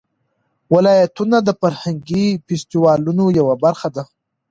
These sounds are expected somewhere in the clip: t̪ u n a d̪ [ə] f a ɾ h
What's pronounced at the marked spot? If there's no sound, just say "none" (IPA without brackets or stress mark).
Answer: ə